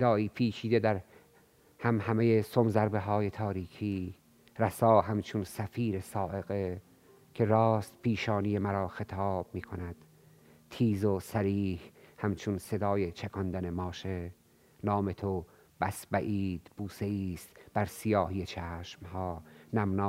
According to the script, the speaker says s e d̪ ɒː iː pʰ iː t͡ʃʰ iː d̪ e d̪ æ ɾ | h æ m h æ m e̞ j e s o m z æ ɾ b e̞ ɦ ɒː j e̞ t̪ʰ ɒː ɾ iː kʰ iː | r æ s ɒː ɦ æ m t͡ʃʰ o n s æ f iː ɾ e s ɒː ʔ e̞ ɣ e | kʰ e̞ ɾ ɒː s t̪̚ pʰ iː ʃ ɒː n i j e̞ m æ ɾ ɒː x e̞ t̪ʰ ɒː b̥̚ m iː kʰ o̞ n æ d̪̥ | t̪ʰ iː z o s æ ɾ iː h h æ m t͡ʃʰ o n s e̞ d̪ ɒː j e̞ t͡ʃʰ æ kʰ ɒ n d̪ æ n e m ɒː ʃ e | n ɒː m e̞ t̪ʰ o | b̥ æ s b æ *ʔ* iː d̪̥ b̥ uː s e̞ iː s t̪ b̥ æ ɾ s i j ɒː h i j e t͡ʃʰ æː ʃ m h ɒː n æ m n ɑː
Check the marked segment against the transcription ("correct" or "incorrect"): correct